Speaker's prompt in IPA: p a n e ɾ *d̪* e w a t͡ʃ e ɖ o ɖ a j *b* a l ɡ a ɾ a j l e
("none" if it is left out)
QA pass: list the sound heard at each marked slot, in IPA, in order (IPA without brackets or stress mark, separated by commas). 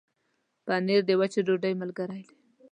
d̪, m